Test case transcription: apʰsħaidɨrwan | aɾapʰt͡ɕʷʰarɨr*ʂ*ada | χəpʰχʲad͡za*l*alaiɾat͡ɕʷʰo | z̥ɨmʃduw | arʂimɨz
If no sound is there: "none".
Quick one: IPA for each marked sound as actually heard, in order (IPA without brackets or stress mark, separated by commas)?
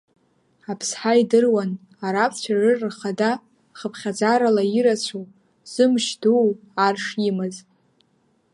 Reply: χ, ɾ